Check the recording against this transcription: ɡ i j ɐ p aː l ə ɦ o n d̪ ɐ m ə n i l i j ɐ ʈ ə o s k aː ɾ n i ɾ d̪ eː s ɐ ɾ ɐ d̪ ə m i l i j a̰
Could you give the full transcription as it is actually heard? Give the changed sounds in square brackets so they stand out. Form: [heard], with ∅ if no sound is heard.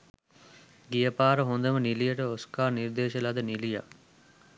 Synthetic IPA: ɡ i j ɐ p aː [ɾ] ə ɦ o n d̪ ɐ m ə n i l i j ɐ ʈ ə o s k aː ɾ n i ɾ d̪ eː [ʃ] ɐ [l] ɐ d̪ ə [n] i l i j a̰